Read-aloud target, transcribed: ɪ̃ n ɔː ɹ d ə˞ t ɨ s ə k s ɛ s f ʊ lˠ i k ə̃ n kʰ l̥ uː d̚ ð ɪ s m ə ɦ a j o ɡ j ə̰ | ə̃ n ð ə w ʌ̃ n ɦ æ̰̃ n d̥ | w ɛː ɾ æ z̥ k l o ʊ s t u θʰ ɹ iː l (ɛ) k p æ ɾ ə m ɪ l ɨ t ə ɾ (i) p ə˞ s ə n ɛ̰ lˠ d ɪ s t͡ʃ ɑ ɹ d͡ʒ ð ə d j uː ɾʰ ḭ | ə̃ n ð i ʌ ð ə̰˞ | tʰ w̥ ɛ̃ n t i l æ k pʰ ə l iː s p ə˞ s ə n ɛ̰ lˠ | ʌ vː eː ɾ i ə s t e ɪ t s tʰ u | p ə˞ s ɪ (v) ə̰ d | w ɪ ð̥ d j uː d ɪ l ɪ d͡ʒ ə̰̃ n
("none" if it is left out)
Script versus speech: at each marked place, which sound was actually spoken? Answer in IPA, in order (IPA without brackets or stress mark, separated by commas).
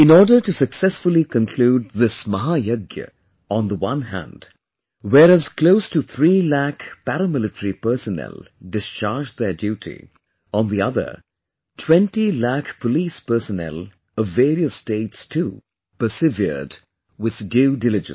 æ, i, v